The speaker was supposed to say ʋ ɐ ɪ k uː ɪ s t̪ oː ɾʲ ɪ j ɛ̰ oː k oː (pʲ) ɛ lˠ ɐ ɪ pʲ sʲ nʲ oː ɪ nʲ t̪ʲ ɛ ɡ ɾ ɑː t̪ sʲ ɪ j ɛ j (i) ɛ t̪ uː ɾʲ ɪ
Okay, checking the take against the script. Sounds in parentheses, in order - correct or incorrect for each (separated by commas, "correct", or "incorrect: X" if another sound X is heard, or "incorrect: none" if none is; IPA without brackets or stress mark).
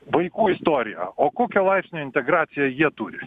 incorrect: kʲ, correct